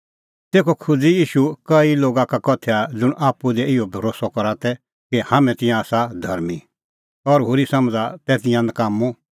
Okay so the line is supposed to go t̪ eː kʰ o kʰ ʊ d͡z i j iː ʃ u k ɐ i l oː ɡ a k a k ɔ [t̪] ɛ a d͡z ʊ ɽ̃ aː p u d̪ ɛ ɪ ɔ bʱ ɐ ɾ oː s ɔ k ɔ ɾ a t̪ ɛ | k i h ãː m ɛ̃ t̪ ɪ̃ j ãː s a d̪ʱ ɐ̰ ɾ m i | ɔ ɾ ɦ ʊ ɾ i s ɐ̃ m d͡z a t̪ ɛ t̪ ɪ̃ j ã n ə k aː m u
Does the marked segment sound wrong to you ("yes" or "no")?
yes